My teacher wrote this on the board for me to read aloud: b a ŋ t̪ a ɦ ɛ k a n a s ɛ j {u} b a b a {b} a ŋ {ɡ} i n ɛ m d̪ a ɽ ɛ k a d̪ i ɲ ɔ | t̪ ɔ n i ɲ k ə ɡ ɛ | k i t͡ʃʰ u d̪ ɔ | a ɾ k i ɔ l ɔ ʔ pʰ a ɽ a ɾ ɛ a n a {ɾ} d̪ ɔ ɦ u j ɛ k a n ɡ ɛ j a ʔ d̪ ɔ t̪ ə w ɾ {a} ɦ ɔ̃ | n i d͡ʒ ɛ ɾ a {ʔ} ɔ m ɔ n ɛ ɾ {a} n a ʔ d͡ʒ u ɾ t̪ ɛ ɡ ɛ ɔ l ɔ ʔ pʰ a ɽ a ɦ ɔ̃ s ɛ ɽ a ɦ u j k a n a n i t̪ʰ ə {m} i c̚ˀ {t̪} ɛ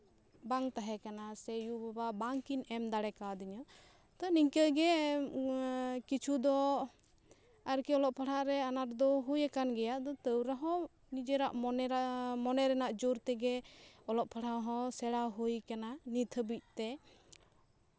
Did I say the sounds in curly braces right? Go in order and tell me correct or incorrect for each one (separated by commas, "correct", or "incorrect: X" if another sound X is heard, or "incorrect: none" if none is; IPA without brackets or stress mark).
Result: correct, correct, incorrect: k, correct, correct, correct, incorrect: ɛ, incorrect: b, correct